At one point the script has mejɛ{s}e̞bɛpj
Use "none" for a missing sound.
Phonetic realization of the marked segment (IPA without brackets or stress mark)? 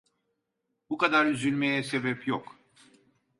s